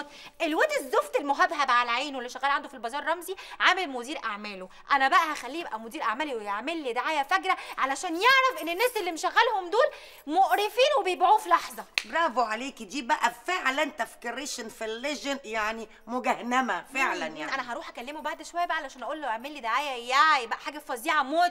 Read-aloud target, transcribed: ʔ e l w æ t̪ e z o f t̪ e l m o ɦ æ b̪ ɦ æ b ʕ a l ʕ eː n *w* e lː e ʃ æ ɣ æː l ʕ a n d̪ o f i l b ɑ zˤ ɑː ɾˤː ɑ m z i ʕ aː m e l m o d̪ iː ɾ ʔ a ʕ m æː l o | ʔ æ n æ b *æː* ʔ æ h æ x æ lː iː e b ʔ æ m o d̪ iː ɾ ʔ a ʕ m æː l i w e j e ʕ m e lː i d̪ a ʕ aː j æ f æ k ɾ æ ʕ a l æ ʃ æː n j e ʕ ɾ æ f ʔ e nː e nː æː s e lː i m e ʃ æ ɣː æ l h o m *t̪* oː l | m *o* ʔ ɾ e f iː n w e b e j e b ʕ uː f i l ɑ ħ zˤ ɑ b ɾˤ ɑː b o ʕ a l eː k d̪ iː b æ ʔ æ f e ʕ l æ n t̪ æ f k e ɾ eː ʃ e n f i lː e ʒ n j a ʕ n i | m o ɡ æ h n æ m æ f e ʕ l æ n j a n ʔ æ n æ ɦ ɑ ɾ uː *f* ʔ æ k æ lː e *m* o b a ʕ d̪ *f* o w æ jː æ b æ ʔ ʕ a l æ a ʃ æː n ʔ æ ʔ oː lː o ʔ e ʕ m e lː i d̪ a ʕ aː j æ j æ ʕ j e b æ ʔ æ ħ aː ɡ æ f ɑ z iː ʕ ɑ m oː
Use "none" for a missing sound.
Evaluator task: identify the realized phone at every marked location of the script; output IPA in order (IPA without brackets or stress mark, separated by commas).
w, æ, d̪, o, ħ, m, ʃ